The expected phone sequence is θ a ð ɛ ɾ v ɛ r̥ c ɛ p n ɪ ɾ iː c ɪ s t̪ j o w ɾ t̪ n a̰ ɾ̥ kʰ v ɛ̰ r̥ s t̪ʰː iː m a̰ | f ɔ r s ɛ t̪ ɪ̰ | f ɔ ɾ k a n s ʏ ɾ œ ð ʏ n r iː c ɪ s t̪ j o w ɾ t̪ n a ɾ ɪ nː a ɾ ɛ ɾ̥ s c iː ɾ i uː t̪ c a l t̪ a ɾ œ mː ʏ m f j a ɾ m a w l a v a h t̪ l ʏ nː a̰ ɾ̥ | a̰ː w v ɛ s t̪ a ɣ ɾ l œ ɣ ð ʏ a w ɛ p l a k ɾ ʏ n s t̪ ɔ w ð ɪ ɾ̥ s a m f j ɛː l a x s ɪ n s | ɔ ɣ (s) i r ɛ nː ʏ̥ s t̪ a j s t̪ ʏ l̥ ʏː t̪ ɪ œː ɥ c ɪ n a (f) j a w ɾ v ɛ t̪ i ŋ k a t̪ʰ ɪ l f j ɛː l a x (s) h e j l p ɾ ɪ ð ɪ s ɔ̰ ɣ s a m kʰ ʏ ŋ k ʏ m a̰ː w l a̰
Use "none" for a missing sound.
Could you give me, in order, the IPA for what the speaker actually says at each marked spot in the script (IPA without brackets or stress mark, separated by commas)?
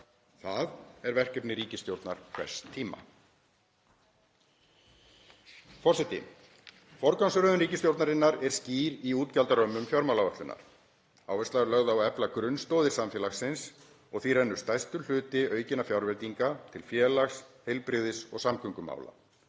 θ, f, s